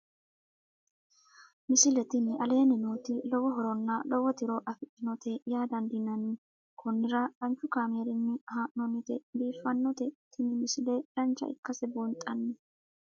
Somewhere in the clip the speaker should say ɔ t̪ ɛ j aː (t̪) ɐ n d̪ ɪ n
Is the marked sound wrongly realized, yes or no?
yes